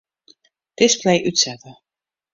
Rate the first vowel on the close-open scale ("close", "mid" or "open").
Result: close